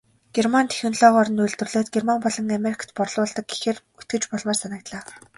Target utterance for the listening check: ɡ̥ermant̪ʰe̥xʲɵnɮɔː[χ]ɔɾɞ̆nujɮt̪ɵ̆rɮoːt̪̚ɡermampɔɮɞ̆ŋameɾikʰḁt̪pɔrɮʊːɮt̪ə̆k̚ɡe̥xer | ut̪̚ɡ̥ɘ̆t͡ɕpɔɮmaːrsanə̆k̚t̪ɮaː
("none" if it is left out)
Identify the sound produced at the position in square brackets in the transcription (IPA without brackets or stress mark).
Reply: ʁ